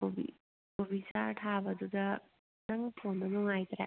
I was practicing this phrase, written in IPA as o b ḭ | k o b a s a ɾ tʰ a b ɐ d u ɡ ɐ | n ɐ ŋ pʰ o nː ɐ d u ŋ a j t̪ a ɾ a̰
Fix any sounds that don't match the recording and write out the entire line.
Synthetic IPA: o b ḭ | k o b i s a ɾ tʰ a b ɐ d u d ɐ | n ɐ ŋ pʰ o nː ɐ n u ŋ a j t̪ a ɾ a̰